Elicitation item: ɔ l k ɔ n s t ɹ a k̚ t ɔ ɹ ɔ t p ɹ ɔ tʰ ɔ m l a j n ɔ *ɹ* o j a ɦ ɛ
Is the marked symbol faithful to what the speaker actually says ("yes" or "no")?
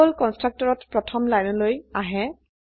no